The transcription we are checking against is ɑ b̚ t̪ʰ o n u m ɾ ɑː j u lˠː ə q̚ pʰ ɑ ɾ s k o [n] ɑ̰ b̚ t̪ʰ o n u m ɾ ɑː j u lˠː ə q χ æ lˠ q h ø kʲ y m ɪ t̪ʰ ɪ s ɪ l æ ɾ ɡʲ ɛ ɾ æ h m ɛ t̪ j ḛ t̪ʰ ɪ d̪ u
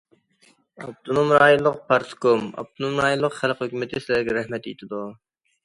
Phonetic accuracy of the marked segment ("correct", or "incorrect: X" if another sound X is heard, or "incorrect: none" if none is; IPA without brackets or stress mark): incorrect: m